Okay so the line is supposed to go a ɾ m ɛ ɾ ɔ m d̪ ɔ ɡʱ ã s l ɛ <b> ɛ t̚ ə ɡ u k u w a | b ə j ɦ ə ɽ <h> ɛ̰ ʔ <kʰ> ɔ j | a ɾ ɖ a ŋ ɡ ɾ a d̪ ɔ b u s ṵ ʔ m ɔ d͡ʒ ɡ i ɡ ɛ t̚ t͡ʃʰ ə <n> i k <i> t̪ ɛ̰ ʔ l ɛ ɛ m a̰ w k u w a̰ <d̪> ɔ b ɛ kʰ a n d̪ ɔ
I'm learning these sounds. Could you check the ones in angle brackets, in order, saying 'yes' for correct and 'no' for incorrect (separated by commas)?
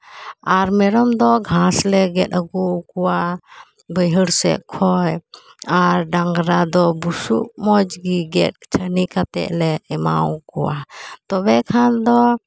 no, no, yes, yes, no, no